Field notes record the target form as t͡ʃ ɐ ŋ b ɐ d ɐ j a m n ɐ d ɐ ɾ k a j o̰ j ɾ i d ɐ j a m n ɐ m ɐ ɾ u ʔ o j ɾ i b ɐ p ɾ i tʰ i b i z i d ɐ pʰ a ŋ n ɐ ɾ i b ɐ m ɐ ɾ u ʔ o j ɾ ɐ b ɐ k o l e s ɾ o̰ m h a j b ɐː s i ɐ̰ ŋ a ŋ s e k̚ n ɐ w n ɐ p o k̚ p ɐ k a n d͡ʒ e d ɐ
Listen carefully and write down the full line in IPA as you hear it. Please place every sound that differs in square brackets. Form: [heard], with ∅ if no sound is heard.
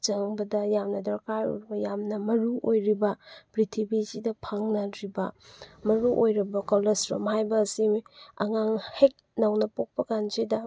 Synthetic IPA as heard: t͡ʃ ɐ ŋ b ɐ d ɐ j a m n ɐ d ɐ ɾ k a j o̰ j ɾ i [b] ɐ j a m n ɐ m ɐ ɾ u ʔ o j ɾ i b ɐ p ɾ i tʰ i b i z i d ɐ pʰ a ŋ n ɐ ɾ i b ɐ m ɐ ɾ u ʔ o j ɾ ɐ b ɐ k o l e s ɾ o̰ m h a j b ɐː s i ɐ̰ ŋ a ŋ [h] e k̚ n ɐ w n ɐ p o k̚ p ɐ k a n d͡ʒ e d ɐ